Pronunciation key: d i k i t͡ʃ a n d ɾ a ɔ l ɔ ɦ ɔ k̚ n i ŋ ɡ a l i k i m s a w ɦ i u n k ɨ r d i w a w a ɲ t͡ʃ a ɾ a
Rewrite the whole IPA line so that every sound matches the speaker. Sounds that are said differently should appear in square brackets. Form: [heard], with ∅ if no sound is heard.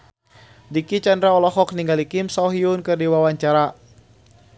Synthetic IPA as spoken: d i k i t͡ʃ a n d ɾ a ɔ l ɔ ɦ ɔ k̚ n i ŋ ɡ a l i k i m s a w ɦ i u n k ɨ r d i w a w a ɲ t͡ʃ a ɾ a